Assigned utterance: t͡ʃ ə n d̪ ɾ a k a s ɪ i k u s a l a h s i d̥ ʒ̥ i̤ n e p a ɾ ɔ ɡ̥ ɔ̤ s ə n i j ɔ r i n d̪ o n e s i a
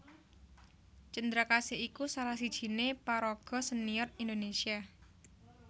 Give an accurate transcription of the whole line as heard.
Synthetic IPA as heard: t͡ʃ ə n d̪ ɾ a k a s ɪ i k u s a l a h s i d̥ ʒ̥ i̤ n e p a ɾ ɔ ɡ̥ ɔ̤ s ə n i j ɔ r i n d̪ o n e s i a